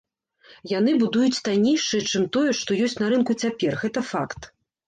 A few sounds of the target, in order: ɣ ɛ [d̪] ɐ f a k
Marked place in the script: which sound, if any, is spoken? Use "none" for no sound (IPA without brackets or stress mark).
t̪